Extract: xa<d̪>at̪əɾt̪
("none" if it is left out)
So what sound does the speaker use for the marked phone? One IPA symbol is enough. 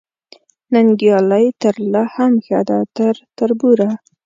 d̪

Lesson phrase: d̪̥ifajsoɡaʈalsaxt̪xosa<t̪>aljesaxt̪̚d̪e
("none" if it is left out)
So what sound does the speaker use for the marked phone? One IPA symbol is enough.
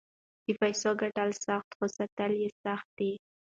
t̪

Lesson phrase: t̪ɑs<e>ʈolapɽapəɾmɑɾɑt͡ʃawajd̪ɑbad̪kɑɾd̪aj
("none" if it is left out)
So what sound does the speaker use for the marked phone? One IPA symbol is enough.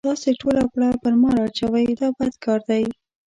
e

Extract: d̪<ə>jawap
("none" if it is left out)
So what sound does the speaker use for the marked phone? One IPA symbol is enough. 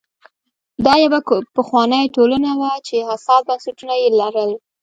ɑ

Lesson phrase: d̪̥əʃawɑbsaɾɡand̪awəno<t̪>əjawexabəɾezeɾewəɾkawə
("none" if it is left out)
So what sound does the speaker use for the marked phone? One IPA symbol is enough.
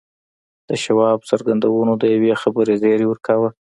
d̪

